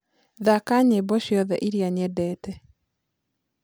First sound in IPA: ð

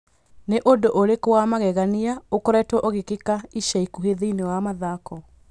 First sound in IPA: n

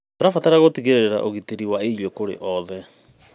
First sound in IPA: t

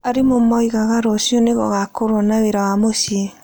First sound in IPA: a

